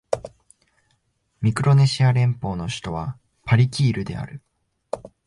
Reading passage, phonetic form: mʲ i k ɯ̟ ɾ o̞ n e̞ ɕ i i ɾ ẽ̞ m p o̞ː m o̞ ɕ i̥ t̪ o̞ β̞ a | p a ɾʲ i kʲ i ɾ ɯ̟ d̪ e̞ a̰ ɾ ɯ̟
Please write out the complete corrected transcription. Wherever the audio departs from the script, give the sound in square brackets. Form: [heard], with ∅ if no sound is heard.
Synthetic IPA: mʲ i k ɯ̟ ɾ o̞ n e̞ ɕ i [a] ɾ ẽ̞ m p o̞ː [n] o̞ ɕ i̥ t̪ o̞ β̞ a | p a ɾʲ i kʲ [iː] ɾ ɯ̟ d̪ e̞ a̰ ɾ ɯ̟